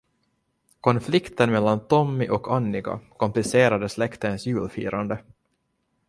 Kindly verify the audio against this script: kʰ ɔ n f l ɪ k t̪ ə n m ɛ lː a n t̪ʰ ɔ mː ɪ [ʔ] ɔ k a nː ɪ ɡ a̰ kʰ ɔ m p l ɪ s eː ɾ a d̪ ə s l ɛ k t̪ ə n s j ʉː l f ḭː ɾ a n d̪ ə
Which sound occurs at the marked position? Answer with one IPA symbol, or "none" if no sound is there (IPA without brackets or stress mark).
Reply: ʔ